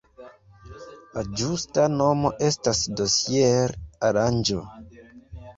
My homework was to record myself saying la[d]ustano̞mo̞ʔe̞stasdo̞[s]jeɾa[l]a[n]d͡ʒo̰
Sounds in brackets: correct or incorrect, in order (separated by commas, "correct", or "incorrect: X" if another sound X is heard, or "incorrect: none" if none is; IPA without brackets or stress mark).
incorrect: d͡ʒ, correct, incorrect: ɾ, correct